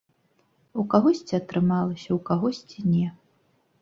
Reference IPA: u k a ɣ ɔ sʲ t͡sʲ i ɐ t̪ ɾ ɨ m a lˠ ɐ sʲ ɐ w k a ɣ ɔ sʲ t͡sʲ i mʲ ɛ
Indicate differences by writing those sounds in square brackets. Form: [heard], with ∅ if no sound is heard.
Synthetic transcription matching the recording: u k a ɣ ɔ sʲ t͡sʲ i ɐ t̪ ɾ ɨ m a lˠ ɐ sʲ ɐ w k a ɣ ɔ sʲ t͡sʲ i [nʲ] ɛ